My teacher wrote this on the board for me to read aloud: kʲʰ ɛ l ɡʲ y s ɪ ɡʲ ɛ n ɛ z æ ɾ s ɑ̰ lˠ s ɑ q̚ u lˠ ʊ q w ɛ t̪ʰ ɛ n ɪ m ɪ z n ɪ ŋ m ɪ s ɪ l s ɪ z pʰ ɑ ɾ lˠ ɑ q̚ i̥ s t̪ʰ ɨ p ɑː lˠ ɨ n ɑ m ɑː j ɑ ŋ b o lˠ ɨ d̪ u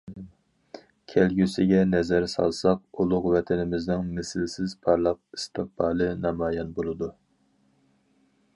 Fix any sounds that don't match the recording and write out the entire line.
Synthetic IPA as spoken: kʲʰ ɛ l ɡʲ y s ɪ ɡʲ ɛ n ɛ z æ ɾ s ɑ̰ lˠ s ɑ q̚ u lˠ ʊ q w ɛ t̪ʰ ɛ n ɪ m ɪ z n ɪ ŋ m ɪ s ɪ l s ɪ z pʰ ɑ ɾ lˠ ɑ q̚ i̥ s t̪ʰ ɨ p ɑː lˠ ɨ n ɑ m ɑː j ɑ n b o lˠ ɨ d̪ u